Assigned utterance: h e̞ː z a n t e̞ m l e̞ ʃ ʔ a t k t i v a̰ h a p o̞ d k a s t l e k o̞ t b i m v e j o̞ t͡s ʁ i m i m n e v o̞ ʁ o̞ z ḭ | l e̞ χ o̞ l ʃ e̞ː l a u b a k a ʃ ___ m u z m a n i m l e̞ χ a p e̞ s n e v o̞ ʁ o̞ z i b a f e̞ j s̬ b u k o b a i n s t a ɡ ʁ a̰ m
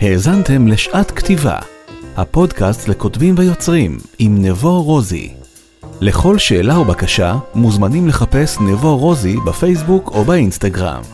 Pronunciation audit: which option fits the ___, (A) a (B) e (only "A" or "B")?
A